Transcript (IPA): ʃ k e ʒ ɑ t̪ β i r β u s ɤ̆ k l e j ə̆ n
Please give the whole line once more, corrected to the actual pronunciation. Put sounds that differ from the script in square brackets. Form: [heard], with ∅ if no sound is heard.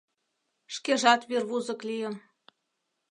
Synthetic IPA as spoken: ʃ k e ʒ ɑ t̪ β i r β u [z] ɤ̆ k l [i] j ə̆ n